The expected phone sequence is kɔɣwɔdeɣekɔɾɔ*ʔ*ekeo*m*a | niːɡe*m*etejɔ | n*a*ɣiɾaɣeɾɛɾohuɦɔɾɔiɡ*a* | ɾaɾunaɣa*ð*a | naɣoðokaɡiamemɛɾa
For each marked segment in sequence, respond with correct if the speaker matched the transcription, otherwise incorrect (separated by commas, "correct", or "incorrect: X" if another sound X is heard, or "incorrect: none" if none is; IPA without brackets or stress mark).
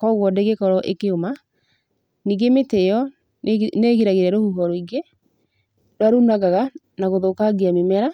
correct, correct, correct, incorrect: e, incorrect: e, incorrect: ɣ